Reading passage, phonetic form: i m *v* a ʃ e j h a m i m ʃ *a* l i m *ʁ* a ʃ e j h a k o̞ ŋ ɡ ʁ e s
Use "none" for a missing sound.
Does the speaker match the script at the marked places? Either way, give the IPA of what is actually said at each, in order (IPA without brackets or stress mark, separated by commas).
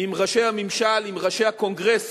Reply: ʁ, a, ʁ